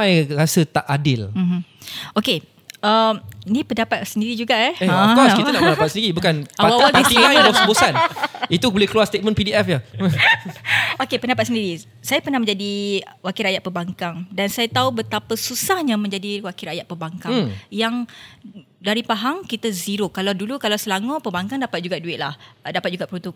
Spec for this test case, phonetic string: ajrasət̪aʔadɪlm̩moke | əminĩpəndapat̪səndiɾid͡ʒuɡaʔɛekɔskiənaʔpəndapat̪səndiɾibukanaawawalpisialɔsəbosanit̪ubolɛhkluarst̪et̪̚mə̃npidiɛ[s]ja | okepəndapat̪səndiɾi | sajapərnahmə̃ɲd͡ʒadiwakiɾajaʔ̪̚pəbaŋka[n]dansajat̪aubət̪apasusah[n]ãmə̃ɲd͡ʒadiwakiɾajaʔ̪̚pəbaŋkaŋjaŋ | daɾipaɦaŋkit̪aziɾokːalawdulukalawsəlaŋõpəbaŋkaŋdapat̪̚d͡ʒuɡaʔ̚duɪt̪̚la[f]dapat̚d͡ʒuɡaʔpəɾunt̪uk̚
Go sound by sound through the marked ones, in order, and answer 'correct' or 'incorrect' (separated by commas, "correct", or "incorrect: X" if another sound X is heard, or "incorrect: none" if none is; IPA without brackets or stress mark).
incorrect: f, incorrect: ŋ, incorrect: ɲ, incorrect: h